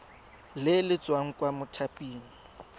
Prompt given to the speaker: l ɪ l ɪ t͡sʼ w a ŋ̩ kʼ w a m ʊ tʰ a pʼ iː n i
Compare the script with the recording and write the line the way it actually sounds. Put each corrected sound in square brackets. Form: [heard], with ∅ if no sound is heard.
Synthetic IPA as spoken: l ɪ l ɪ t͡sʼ w a ŋ̩ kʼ w a m ʊ tʰ a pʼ iː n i